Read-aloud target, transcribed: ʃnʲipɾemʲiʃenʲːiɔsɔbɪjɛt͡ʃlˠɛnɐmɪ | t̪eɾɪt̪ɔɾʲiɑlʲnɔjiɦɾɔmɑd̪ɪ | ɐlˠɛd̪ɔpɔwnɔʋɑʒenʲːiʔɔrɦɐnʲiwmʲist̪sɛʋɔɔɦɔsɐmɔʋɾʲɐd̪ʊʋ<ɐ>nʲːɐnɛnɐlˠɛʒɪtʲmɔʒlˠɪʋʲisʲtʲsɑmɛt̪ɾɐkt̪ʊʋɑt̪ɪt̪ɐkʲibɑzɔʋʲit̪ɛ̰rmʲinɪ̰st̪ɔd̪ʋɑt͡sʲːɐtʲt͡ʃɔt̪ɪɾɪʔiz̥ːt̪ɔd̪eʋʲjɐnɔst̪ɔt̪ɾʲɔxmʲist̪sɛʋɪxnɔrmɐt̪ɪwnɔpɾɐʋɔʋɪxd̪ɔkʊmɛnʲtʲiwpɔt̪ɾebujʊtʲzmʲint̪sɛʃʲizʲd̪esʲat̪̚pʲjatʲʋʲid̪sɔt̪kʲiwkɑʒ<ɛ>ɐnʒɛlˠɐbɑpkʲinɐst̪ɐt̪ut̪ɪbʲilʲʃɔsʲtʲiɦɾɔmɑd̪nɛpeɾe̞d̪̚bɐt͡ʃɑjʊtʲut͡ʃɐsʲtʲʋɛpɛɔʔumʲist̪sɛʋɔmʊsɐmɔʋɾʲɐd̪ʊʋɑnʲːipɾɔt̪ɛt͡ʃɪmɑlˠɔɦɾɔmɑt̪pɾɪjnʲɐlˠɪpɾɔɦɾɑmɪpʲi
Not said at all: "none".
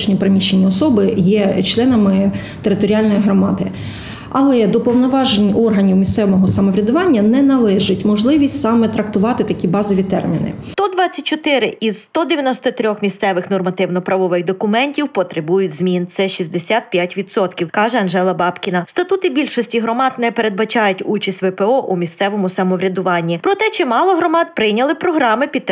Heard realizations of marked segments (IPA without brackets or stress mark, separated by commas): ɑ, ɛ